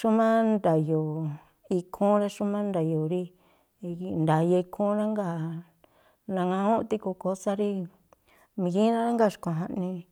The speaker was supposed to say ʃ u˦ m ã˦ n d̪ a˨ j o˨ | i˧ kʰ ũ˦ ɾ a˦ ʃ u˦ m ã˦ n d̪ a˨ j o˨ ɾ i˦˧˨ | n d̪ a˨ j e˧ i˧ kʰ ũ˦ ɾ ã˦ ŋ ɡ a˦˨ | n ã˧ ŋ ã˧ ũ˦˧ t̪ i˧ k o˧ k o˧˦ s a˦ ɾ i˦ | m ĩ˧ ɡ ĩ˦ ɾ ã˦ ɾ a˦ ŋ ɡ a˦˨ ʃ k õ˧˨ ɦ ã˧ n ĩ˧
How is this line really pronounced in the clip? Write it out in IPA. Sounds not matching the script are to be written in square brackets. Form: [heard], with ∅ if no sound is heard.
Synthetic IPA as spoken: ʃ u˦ m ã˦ n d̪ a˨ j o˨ | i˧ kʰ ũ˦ ɾ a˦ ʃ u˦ m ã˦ n d̪ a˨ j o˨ ɾ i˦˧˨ | n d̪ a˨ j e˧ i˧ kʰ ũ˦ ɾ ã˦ ŋ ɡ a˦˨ | n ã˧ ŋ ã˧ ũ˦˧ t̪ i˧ k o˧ k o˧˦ s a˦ ɾ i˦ | m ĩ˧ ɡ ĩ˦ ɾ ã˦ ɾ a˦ ŋ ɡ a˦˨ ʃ k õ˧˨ ɦ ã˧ n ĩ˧